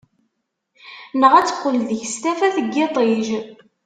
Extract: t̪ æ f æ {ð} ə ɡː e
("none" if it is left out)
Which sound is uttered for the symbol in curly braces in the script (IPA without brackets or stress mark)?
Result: θ